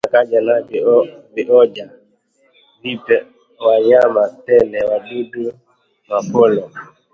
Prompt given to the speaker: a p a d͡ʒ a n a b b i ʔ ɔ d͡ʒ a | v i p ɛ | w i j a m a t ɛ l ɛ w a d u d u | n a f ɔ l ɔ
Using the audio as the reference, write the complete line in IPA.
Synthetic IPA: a k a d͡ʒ a n a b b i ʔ ɔ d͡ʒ a | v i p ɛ | w a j a m a t ɛ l ɛ w a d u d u | m a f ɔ l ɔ